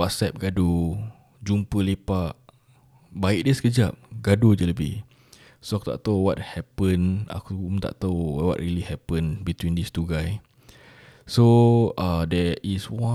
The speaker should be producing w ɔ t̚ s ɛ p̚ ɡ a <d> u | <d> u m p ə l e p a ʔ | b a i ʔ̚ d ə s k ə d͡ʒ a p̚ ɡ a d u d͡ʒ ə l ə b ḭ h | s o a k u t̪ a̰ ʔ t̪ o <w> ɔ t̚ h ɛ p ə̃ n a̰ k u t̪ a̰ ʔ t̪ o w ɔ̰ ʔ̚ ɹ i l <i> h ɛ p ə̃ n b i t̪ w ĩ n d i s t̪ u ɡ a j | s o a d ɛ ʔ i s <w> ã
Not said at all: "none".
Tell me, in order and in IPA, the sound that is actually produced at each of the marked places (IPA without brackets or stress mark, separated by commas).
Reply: d, d͡ʒ, w, i, w